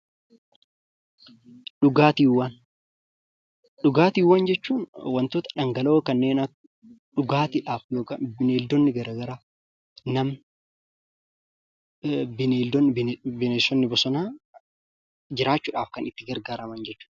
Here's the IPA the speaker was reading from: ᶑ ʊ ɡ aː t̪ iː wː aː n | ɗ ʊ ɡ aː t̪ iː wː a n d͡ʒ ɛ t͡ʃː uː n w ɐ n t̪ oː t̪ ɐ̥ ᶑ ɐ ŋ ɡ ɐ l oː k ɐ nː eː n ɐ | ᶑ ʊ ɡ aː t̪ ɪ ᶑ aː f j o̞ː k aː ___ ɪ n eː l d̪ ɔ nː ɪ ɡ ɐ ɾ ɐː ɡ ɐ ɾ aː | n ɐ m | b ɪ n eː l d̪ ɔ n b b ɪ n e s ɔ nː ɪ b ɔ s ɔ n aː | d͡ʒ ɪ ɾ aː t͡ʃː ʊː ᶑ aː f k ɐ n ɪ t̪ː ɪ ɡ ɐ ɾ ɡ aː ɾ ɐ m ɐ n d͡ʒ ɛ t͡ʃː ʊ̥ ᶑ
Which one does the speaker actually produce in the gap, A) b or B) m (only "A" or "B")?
A